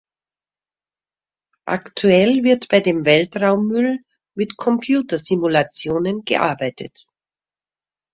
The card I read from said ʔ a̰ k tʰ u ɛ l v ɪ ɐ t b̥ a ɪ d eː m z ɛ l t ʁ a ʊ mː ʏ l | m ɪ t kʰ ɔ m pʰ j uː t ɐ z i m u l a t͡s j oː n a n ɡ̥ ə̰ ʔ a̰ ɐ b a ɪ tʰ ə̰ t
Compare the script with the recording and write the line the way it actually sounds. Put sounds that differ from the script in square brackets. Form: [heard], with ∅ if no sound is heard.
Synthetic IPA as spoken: ʔ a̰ k tʰ u ɛ l v ɪ ɐ t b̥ a ɪ d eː m [v] ɛ l t ʁ a ʊ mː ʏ l | m ɪ t kʰ ɔ m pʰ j uː t ɐ z i m u l a t͡s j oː n [ə] n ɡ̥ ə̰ ʔ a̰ ɐ b a ɪ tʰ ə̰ t